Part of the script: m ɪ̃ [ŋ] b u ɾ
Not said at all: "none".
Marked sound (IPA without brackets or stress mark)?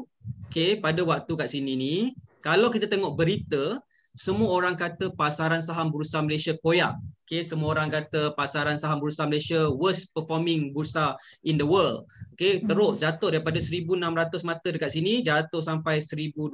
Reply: ŋ